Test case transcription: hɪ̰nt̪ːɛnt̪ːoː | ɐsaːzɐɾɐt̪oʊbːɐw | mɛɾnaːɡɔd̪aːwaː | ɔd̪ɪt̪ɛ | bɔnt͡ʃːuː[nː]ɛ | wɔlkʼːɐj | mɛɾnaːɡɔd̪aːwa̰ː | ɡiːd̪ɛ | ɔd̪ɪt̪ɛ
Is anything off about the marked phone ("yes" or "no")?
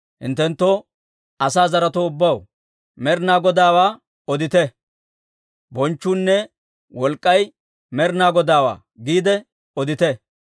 no